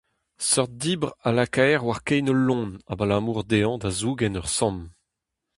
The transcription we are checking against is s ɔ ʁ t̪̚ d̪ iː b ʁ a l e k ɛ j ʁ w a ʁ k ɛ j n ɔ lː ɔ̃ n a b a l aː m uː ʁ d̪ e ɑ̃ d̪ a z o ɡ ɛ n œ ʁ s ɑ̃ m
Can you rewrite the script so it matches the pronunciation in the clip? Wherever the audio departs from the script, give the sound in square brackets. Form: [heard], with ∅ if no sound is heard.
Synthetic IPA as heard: s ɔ ʁ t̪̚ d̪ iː b ʁ a l [a] k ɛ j ʁ w a ʁ k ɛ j n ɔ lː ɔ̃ n a b a l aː m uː ʁ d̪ e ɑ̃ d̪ a z [u] ɡ ɛ n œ ʁ s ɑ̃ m